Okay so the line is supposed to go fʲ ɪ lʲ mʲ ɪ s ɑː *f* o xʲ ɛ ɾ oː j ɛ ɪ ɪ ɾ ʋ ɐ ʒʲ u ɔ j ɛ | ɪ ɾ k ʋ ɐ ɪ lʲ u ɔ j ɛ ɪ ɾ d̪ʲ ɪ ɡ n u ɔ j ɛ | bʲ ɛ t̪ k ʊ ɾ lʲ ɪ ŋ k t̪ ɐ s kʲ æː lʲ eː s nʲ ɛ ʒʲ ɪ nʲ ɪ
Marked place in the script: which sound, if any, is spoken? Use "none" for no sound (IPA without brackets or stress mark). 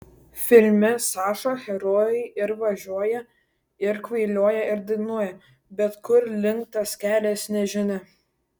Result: ʃ